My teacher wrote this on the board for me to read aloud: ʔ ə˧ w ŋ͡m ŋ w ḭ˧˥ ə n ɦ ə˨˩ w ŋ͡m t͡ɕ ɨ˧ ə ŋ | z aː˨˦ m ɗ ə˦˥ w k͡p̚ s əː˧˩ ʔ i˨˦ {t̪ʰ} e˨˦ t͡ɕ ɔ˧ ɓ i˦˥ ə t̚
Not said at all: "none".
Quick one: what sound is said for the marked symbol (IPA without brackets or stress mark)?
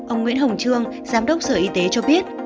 t̪